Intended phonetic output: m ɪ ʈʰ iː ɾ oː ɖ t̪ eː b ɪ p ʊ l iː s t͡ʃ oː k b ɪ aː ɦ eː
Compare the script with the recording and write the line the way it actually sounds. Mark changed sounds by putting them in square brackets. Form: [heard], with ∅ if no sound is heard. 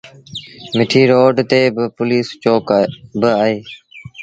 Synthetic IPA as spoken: m ɪ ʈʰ iː ɾ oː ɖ t̪ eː b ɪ p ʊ l iː s t͡ʃ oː k b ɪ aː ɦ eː